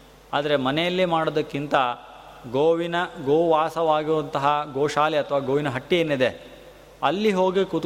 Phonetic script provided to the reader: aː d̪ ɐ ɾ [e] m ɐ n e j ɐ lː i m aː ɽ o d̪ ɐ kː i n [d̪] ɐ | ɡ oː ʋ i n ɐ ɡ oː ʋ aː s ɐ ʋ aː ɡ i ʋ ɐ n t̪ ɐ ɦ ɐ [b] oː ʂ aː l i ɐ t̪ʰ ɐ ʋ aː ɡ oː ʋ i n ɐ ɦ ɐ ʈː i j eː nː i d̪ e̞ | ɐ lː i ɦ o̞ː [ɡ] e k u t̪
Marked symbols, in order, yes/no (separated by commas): yes, no, no, yes